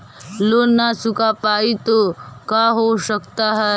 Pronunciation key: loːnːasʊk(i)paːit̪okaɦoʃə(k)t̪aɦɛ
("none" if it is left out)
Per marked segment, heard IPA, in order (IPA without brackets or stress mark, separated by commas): a, k